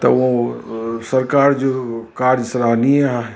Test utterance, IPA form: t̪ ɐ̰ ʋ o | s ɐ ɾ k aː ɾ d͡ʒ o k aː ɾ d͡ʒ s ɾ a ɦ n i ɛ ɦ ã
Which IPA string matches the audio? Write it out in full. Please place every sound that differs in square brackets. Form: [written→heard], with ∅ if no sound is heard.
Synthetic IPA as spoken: t̪ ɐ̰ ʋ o | s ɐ ɾ k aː ɾ d͡ʒ o k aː ɾ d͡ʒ s ɾ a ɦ n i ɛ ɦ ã